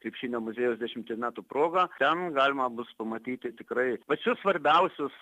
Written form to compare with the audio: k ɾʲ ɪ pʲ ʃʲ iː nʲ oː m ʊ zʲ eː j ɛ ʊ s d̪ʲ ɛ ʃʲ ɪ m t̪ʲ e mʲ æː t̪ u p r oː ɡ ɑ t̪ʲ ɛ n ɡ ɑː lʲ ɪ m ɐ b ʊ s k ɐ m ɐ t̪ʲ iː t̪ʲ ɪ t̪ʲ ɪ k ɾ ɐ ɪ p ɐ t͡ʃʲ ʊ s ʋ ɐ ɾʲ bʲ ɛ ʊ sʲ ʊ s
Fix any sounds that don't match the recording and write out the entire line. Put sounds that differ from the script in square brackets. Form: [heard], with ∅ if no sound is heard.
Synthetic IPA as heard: k ɾʲ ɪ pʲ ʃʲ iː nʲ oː m ʊ zʲ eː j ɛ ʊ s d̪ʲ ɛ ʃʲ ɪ m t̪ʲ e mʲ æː t̪ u p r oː ɡ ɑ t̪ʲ ɛ n ɡ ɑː lʲ ɪ m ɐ b ʊ s [p] ɐ m ɐ t̪ʲ iː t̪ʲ ɪ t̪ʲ ɪ k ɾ ɐ ɪ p ɐ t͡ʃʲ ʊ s ʋ ɐ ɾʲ bʲ ɛ ʊ sʲ ʊ s